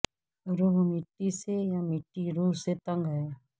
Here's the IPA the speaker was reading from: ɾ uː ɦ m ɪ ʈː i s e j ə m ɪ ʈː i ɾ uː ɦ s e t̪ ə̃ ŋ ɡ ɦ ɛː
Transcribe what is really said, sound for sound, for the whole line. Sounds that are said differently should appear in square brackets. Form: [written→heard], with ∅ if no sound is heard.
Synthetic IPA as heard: ɾ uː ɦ m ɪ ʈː i s e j [ə→a] m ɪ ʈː i ɾ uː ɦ s e t̪ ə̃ ŋ ɡ ɦ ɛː